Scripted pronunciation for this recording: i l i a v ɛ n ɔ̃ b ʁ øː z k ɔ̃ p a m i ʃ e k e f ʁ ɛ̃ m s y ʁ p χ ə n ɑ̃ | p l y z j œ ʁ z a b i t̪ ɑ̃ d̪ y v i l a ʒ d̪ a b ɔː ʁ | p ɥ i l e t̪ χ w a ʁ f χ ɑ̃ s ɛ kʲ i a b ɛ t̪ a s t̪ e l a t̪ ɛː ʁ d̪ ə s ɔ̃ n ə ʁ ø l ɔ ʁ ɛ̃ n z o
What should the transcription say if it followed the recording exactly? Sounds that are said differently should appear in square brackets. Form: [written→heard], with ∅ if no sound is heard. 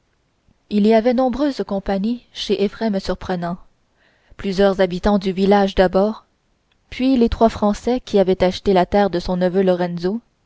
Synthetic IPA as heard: i l i a v ɛ n ɔ̃ b ʁ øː z k ɔ̃ p a [m→ɲ] i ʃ e [k→ʔ] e f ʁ [ɛ̃→ɛ] m s y ʁ p χ ə n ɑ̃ | p l y z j œ ʁ z a b i t̪ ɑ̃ d̪ y v i l a ʒ d̪ a b ɔː ʁ | p ɥ i l e t̪ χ w a [ʁ→∅] f χ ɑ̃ s ɛ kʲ i a [b→v] ɛ t̪ a [s→ʃ] t̪ e l a t̪ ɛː ʁ d̪ ə s ɔ̃ n ə [ʁ→v] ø l ɔ ʁ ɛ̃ n z o